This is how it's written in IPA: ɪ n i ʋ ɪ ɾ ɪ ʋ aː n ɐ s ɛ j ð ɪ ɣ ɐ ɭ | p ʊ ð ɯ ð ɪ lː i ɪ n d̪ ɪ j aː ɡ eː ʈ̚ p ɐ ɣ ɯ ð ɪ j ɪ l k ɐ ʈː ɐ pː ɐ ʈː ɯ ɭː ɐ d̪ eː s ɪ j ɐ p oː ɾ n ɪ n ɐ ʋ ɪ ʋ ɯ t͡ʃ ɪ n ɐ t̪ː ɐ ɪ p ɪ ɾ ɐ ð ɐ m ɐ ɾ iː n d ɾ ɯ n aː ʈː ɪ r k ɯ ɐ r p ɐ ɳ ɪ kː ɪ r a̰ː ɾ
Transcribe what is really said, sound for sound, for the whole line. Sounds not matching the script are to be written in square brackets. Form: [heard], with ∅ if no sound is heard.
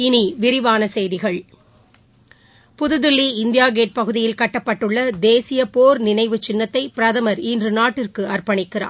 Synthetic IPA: ɪ n i ʋ ɪ ɾ ɪ ʋ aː n ɐ s ɛ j ð ɪ ɣ ɐ ɭ | p ʊ ð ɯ ð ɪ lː i ɪ n d̪ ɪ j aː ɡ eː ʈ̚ p ɐ ɣ ɯ ð ɪ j ɪ l k ɐ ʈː ɐ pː ɐ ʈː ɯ ɭː ɐ d̪ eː s ɪ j ɐ p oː ɾ n ɪ n ɐ [∅] ɪ ʋ ɯ t͡ʃ ɪ [nː] ɐ t̪ː ɐ ɪ p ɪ ɾ ɐ ð ɐ m ɐ ɾ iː n d [r] ɯ n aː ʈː ɪ r k ɯ ɐ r p ɐ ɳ ɪ kː ɪ r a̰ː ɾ